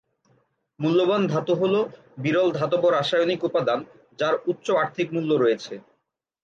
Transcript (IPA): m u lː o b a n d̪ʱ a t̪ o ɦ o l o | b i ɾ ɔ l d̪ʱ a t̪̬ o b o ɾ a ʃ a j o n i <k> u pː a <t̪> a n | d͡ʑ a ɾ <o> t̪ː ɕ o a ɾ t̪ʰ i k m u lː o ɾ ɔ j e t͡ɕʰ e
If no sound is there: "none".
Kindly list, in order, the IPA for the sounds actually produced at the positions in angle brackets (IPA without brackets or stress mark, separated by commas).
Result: k, d̪, u